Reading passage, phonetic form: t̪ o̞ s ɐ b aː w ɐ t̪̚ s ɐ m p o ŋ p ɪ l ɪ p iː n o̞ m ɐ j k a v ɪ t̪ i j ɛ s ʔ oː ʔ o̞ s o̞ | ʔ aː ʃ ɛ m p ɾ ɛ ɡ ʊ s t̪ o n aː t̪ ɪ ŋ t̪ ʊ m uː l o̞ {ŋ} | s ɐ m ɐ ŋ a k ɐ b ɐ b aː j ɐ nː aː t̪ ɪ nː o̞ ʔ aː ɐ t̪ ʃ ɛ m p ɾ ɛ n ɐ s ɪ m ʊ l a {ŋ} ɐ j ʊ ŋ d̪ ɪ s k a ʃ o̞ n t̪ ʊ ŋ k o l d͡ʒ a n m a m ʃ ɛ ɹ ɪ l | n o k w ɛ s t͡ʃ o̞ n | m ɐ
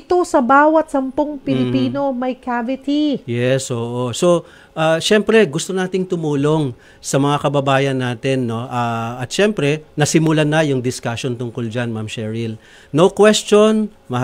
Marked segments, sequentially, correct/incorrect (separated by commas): correct, incorrect